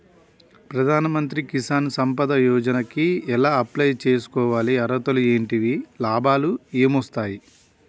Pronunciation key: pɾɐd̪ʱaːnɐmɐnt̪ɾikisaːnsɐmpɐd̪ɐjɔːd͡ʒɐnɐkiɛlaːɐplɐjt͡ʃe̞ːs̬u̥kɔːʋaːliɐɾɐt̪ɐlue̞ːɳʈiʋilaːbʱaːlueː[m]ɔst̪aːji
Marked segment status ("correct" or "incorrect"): correct